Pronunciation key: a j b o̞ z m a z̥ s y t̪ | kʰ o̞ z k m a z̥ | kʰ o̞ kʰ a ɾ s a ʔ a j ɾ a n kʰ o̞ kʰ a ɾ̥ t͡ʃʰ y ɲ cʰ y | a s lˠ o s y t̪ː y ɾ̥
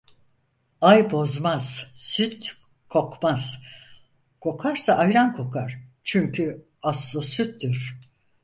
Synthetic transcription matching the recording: a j b o̞ z m a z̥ s y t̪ | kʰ o̞ k m a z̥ | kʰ o̞ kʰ a ɾ s a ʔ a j ɾ a n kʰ o̞ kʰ a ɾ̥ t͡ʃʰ y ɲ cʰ y | a s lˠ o s y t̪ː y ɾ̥